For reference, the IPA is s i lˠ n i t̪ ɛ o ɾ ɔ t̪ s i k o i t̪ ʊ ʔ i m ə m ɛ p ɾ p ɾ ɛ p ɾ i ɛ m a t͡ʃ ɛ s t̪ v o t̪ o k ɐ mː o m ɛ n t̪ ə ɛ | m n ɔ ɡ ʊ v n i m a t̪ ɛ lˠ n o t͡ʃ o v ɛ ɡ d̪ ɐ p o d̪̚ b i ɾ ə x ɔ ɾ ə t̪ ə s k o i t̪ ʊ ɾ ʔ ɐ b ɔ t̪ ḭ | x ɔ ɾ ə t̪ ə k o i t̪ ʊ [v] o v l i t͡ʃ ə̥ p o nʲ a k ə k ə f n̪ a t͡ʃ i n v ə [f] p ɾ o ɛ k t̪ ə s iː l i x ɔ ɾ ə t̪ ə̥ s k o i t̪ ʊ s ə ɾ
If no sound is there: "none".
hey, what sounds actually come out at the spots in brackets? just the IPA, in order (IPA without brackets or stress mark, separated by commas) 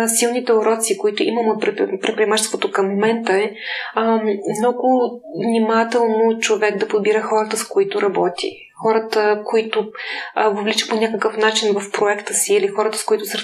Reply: v, f